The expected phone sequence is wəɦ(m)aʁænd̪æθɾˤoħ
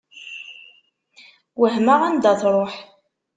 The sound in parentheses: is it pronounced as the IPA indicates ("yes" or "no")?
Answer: yes